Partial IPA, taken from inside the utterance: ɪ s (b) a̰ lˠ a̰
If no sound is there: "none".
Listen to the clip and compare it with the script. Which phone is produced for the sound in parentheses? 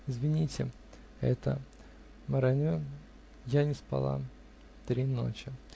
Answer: p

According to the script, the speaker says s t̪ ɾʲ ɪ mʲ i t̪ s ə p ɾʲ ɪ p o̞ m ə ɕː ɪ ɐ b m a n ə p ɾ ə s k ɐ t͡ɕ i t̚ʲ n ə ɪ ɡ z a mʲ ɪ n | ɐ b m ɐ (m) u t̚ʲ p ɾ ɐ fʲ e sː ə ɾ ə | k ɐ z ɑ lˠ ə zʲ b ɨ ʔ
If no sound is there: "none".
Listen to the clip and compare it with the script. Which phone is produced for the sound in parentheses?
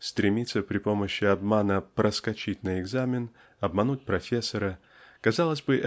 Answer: n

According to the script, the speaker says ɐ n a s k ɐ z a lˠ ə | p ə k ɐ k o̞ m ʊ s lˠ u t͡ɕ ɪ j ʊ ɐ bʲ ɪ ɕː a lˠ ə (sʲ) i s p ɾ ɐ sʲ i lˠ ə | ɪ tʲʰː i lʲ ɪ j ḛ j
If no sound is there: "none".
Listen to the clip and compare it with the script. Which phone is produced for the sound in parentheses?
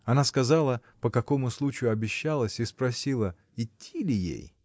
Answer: sʲ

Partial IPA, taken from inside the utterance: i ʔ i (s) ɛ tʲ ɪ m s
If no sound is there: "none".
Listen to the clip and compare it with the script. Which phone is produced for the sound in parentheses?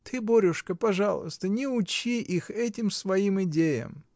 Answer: x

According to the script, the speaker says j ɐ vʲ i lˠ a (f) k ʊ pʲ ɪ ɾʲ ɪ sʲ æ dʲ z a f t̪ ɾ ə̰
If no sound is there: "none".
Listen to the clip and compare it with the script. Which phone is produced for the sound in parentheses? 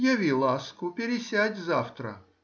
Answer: s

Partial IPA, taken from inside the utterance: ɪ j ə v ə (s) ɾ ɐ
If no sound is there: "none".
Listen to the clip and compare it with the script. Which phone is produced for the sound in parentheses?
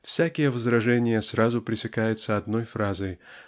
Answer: z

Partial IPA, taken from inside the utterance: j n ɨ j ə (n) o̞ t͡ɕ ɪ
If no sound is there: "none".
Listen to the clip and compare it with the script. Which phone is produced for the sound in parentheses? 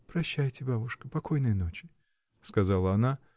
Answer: n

